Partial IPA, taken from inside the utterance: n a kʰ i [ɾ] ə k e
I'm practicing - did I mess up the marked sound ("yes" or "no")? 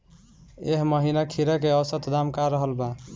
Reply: no